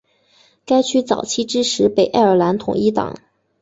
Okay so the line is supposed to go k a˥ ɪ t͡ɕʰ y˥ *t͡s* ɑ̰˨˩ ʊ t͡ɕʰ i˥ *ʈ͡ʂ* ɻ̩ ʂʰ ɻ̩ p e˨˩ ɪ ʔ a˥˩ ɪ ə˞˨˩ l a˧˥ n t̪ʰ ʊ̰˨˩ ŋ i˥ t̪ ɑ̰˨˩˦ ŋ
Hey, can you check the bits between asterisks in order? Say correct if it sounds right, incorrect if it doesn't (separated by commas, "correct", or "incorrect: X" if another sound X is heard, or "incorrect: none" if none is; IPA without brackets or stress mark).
correct, correct